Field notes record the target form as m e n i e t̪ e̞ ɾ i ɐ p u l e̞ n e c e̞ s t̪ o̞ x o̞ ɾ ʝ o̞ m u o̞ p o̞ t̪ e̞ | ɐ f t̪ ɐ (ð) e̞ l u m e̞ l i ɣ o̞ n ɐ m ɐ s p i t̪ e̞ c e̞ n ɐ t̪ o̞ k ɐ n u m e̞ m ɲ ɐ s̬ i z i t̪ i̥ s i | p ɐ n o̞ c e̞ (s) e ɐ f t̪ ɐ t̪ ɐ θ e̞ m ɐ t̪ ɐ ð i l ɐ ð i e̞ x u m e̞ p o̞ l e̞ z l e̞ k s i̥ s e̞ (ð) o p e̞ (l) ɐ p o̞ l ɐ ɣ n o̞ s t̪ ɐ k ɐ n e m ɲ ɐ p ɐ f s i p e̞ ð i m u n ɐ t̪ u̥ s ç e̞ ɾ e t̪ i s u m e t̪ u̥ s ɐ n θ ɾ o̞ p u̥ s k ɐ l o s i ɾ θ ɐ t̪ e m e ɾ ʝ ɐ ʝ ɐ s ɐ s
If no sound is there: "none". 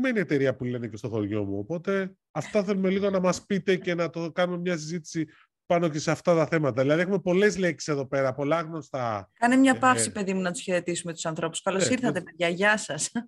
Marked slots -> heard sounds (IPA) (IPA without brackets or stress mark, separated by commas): θ, s, ð, ɾ